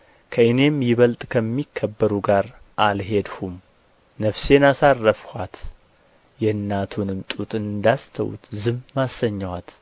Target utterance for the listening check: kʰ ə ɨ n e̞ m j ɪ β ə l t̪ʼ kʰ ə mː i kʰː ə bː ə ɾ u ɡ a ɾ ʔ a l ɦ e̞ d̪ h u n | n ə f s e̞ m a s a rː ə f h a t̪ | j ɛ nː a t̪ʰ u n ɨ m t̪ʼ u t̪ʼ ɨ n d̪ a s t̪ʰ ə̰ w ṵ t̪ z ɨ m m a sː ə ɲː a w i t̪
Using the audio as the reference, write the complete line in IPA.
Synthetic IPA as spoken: kʰ ə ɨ n e̞ m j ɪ β ə l t̪ʼ kʰ ə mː i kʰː ə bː ə ɾ u ɡ a ɾ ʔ a l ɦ e̞ d̪ h u m | n ə f s e̞ n a s a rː ə f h a t̪ | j ɛ nː a t̪ʰ u n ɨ m t̪ʼ u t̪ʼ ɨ n d̪ a s t̪ʰ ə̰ w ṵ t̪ z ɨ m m a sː ə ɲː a w a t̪

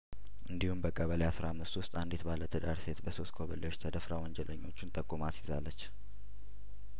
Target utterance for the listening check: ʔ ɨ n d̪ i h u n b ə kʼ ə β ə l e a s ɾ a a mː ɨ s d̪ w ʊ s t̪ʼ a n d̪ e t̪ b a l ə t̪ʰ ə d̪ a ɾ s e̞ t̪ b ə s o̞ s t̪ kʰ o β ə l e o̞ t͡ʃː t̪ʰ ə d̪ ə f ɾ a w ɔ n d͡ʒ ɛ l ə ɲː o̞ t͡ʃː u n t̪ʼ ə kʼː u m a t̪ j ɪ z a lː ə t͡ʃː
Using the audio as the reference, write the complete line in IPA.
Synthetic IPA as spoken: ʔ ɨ n d̪ i h u m b ə kʼ ə β ə l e a s ɾ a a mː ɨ s t̪ w ʊ s t̪ʼ a n d̪ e t̪ b a l ə t̪ʰ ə d̪ a ɾ s e̞ t̪ b ə s o̞ s t̪ kʰ o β ə l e o̞ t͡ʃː t̪ʰ ə d̪ ə f ɾ a w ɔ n d͡ʒ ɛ l ə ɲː o̞ t͡ʃː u n t̪ʼ ə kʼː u m a t̪ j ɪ z a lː ə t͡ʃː

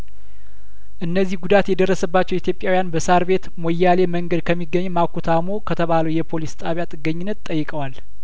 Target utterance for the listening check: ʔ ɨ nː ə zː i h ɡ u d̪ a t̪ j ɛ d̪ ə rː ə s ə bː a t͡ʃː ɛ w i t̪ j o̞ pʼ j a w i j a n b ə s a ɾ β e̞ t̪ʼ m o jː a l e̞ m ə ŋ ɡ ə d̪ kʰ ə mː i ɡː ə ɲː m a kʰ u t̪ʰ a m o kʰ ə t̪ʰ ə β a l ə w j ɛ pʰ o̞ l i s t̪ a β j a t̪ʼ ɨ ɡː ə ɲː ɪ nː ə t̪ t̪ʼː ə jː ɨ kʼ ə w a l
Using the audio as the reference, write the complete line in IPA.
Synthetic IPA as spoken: ʔ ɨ nː ə zː i h ɡ u d̪ a t̪ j ɛ d̪ ə rː ə s ə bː a t͡ʃː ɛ w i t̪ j o̞ pʼ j a w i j a n b ə s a ɾ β e̞ t̪ m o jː a l e̞ m ə ŋ ɡ ə d̪ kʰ ə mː i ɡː ə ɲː m a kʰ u t̪ʰ a m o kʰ ə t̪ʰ ə β a l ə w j ɛ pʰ o̞ l i s t̪ʼ a β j a t̪ʼ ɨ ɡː ə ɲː ɪ nː ə t̪ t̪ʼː ə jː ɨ kʼ ə w a l

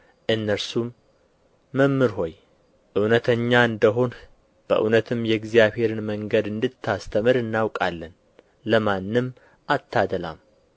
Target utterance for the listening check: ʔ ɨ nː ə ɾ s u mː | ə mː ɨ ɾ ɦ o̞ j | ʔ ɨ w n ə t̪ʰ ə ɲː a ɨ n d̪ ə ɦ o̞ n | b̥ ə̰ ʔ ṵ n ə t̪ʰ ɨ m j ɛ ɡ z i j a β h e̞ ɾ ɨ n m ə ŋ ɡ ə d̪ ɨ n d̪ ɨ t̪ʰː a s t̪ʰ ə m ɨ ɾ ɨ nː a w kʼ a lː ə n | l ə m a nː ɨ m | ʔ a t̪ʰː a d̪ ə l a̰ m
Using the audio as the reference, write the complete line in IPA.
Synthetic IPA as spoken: ʔ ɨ nː ə ɾ s u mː | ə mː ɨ ɾ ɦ o̞ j | ʔ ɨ w n ə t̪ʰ ə ɲː a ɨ n d̪ ə ɦ o̞ n | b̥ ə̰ ʔ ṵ n ə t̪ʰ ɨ m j ɛ ɡ z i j a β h e̞ ɾ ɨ n m ə ŋ ɡ ə d̪ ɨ n d̪ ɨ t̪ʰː a s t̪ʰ ə m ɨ ɾ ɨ nː a w kʼ a lː ə n | l ə m a nː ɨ m | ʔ a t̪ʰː a d̪ ə l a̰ m

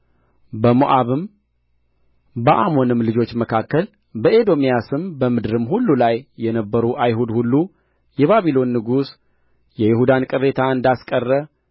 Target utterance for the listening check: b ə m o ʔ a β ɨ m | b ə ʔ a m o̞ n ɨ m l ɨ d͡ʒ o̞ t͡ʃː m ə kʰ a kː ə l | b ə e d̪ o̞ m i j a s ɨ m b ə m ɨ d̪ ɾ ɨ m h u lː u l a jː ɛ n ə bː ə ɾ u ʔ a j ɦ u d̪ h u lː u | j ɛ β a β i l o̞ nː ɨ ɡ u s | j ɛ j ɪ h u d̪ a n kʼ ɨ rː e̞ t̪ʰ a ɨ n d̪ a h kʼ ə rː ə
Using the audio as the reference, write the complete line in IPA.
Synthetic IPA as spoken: b ə m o ʔ a β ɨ m | b ə ʔ a m o̞ n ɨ m l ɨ d͡ʒ o̞ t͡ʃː m ə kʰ a kː ə l | b ə e d̪ o̞ m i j a s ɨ m b ə m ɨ d̪ ɾ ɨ m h u lː u l a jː ɛ n ə bː ə ɾ u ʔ a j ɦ u d̪ h u lː u | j ɛ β a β i l o̞ nː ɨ ɡ u s | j ɛ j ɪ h u d̪ a n kʼ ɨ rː e̞ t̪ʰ a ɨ n d̪ a s kʼ ə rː ə

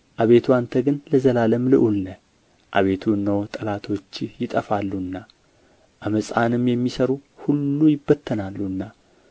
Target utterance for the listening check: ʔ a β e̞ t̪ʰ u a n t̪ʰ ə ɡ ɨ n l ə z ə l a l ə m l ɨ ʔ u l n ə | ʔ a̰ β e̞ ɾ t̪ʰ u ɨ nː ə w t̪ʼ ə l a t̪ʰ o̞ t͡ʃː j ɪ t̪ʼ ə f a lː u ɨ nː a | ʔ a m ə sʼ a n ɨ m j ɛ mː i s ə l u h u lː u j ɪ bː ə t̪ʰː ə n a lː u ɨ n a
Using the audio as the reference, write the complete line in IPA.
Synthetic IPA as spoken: ʔ a β e̞ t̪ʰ u a n t̪ʰ ə ɡ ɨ n l ə z ə l a l ə m l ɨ ʔ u l n ə | ʔ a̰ β e̞ t̪ʰ u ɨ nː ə w t̪ʼ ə l a t̪ʰ o̞ t͡ʃː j ɪ t̪ʼ ə f a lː u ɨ nː a | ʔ a m ə sʼ a n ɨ m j ɛ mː i s ə ɾ u h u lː u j ɪ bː ə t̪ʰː ə n a lː u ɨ nː a

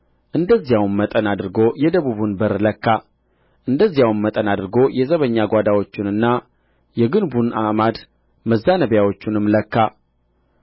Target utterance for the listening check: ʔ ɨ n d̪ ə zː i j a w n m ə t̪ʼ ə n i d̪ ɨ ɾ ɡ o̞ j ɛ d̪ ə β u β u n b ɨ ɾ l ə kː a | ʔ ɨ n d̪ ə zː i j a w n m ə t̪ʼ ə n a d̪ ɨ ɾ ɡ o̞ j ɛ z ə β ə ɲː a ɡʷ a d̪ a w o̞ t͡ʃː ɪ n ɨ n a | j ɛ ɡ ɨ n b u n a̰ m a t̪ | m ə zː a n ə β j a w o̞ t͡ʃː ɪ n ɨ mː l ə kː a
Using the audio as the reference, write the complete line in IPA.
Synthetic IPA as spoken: ʔ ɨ n d̪ ə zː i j a w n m ə t̪ʼ ə n a d̪ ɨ ɾ ɡ o̞ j ɛ d̪ ə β u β u n b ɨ ɾ l ə kː a | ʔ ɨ n d̪ ə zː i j a w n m ə t̪ʼ ə n a d̪ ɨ ɾ ɡ o̞ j ɛ z ə β ə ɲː a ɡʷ a d̪ a w o̞ t͡ʃː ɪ n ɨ nː a | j ɛ ɡ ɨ n b u n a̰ m a d̪ | m ə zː a n ə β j a w o̞ t͡ʃː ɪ n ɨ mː l ə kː a

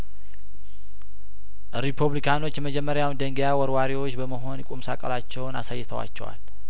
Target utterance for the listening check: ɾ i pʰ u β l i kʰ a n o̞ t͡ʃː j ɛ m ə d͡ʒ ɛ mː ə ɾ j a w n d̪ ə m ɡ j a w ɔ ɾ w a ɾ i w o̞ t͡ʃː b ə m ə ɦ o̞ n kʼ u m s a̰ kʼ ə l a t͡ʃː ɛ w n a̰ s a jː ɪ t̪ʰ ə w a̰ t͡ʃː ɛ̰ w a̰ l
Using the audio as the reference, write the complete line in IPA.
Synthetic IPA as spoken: ɾ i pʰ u β l i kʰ a n o̞ t͡ʃː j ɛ m ə d͡ʒ ɛ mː ə ɾ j a w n d̪ ə ŋ ɡ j a w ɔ ɾ w a ɾ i w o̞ t͡ʃː b ə m ə ɦ o̞ n kʼ u m s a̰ kʼ ə l a t͡ʃː ɛ w n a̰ s a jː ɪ t̪ʰ ə w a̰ t͡ʃː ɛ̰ w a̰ l

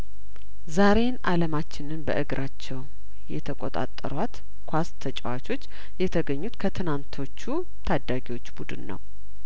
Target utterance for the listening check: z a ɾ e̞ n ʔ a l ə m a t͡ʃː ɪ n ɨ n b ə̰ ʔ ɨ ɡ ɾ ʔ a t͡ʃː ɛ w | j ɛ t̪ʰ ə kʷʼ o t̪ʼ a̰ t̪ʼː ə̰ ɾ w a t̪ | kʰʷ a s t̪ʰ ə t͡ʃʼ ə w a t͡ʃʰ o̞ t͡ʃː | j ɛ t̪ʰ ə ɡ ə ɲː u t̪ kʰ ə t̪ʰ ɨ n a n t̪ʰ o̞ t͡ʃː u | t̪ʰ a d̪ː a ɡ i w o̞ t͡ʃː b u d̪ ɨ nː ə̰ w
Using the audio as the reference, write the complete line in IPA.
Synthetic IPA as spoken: z a ɾ e̞ n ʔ a l ə m a t͡ʃː ɪ n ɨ n b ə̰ ʔ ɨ ɡ ɾ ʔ a t͡ʃː ɛ w | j ɛ t̪ʰ ə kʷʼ o t̪ʼ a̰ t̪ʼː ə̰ ɾ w a t̪ | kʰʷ a s t̪ʰ ə t͡ʃʼ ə w a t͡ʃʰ o̞ t͡ʃː | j ɛ t̪ʰ ə ɡ ə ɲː u t̪ kʰ ə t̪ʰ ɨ n a n t̪ʰ o̞ t͡ʃː u | t̪ʰ a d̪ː a ɡ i w o̞ t͡ʃː b u d̪ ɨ nː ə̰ w

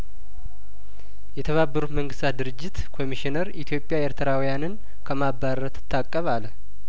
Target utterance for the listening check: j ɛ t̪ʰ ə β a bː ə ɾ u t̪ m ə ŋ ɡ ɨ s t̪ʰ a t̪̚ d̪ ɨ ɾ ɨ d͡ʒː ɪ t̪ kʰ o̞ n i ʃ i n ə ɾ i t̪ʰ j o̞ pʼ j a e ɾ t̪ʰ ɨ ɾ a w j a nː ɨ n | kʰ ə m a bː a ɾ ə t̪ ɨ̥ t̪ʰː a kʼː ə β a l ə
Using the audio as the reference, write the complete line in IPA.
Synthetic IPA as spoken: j ɛ t̪ʰ ə β a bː ə ɾ u t̪ m ə ŋ ɡ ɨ s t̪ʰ a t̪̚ d̪ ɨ ɾ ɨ d͡ʒː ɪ t̪ kʰ o̞ m i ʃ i n ə ɾ i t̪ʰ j o̞ pʼ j a e ɾ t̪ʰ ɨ ɾ a w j a n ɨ n | kʰ ə m a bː a ɾ ə t̪ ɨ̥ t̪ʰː a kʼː ə β a l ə

